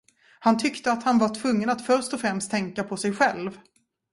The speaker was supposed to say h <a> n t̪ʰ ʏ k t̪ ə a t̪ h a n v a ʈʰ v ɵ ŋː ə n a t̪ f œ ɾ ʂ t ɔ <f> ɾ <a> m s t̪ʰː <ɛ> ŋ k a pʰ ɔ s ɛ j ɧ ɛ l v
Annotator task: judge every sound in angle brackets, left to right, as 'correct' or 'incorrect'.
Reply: correct, correct, incorrect, correct

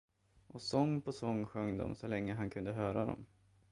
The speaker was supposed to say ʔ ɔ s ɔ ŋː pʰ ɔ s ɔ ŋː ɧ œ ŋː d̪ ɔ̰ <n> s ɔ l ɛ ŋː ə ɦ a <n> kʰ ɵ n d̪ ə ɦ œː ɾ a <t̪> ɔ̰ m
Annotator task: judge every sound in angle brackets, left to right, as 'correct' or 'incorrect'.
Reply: incorrect, correct, incorrect

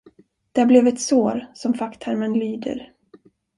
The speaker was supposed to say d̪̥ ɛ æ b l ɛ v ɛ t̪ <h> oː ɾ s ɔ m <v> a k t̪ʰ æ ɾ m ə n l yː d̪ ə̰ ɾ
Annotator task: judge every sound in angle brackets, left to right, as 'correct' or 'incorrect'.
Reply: incorrect, incorrect

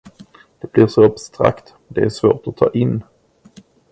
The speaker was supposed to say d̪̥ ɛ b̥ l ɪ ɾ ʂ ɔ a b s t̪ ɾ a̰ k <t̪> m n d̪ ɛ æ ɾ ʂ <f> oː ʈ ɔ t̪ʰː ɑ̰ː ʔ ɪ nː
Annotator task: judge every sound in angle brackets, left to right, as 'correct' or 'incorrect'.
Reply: correct, incorrect

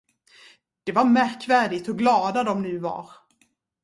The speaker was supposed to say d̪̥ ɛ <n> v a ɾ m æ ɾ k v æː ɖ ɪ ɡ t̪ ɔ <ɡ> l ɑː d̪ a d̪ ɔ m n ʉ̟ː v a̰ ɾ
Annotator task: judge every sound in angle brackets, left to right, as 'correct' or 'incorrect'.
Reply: incorrect, correct

